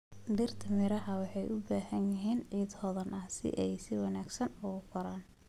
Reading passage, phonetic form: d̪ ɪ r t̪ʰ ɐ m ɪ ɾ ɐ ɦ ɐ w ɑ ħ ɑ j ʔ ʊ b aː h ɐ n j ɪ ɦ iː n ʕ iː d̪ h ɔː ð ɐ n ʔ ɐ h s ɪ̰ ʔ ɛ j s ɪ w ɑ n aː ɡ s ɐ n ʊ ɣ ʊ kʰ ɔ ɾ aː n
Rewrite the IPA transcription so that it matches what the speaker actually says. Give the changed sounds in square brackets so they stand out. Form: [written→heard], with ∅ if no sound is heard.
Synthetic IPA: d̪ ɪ r t̪ʰ ɐ m ɪ ɾ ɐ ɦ ɐ w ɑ ħ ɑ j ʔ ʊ b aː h ɐ n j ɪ ɦ iː n ʕ iː d̪ h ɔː ð ɐ n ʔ ɐ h s ɪ̰ ʔ ɛ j s ɪ w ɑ n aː ɡ s ɐ n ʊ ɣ ʊ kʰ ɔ ɾ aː n